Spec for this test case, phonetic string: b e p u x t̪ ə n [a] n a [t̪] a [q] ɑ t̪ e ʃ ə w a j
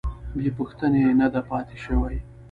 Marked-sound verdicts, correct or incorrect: incorrect: e, incorrect: d̪, incorrect: p

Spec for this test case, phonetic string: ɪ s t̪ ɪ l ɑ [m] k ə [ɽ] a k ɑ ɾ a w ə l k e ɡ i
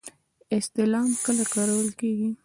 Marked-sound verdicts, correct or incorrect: correct, incorrect: l

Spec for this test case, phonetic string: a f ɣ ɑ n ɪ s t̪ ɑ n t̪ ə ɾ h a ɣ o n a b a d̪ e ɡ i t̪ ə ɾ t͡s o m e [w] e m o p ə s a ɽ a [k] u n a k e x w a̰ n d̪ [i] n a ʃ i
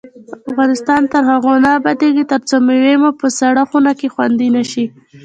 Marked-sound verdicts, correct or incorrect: correct, incorrect: x, correct

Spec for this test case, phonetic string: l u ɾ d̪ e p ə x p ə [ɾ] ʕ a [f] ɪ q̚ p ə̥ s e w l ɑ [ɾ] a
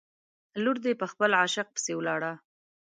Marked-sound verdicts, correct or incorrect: incorrect: l, incorrect: ʃ, incorrect: ɽ

